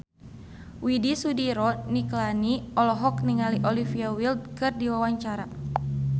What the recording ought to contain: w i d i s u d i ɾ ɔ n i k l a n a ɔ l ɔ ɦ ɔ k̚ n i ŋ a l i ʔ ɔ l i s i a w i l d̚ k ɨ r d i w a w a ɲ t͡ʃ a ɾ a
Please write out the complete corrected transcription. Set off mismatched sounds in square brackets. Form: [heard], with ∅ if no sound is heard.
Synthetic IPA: w i d i s u d i ɾ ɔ n i k l a n [i] ɔ l ɔ ɦ ɔ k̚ n i ŋ a l i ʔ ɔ l i [f] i a w i l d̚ k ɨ r d i w a w a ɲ t͡ʃ a ɾ a